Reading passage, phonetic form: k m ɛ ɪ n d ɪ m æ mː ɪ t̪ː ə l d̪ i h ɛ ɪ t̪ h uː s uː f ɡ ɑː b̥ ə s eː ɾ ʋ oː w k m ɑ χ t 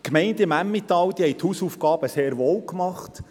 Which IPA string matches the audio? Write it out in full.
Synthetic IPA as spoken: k m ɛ ɪ n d ɪ m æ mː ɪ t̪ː ɑ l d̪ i h ɛ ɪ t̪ h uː s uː f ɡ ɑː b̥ ə s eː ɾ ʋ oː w k m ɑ χ t